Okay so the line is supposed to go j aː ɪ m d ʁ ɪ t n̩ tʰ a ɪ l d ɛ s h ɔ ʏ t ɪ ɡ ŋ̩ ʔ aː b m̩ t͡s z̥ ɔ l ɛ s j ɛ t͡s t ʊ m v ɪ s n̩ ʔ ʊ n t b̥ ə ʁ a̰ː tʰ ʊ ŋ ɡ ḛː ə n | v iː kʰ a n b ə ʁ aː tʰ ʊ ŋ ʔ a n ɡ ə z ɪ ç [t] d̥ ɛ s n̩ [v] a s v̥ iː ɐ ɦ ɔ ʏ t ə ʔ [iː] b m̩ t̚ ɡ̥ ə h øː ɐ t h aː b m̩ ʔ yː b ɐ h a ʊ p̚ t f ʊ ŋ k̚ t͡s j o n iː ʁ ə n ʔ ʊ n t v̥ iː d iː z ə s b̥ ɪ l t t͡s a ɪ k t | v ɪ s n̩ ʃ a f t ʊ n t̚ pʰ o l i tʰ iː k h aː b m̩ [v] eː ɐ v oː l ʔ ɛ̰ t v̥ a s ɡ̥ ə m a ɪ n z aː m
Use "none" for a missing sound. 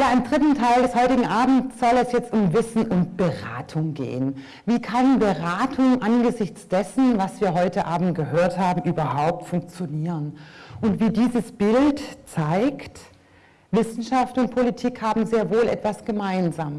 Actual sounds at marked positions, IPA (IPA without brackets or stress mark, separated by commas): t͡s, v, aː, z